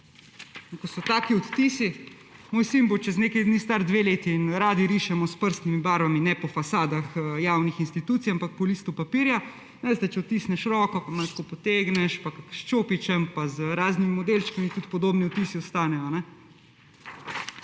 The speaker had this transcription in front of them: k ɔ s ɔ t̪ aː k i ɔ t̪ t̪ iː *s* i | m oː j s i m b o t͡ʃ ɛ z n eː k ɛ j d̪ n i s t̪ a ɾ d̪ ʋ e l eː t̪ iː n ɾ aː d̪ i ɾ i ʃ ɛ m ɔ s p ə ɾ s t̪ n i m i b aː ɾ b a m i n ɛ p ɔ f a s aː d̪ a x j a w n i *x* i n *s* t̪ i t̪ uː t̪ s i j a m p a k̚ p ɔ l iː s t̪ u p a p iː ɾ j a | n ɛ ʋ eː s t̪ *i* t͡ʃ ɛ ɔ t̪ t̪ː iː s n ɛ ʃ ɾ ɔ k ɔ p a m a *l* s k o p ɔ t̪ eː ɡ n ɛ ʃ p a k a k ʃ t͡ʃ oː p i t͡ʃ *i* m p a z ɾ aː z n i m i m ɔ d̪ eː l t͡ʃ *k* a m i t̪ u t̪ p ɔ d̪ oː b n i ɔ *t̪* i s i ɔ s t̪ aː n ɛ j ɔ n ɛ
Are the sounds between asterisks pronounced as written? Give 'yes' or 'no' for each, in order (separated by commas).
yes, yes, yes, no, yes, no, yes, yes